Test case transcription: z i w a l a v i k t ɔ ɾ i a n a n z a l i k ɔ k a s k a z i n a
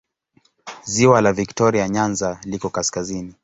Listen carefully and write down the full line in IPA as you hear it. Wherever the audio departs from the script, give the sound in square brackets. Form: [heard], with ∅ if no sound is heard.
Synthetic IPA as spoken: z i w a l a v i k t ɔ ɾ i a [ɲ] a n z a l i k ɔ k a s k a z i n [i]